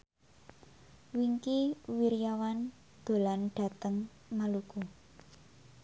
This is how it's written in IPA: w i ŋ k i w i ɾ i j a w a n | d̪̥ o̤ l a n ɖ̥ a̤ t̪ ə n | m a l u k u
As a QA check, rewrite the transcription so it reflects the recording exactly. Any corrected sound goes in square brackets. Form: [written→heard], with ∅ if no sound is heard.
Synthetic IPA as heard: w i ŋ k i w i ɾ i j a w a n | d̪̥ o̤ l a n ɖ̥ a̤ t̪ ə [n→ŋ] | m a l u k u